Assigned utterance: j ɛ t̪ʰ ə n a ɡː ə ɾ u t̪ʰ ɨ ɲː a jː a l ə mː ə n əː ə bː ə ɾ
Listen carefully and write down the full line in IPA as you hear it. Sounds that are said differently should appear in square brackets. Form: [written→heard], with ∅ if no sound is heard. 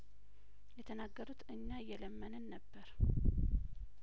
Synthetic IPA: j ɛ t̪ʰ ə n a ɡː ə ɾ u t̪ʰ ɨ ɲː a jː [a→ɛ] l ə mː ə n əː ə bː ə ɾ